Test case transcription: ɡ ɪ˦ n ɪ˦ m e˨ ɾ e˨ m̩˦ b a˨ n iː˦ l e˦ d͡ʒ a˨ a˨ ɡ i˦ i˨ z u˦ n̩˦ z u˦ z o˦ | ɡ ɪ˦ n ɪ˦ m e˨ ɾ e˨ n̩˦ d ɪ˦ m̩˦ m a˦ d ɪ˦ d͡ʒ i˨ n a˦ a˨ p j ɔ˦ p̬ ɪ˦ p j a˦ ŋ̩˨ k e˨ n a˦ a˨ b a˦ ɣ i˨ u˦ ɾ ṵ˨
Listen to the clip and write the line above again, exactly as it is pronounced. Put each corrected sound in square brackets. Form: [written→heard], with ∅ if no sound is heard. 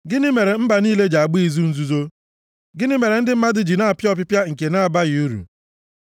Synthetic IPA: ɡ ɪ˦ n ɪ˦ m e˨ ɾ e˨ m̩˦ b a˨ n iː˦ l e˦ d͡ʒ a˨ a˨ [ɡ→ɡ͡b] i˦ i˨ z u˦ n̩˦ z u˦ z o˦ | ɡ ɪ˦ n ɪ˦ m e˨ ɾ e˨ n̩˦ d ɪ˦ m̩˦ m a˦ d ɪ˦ d͡ʒ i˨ n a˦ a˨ p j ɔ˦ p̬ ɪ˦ p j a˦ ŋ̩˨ k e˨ n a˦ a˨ b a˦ ɣ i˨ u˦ ɾ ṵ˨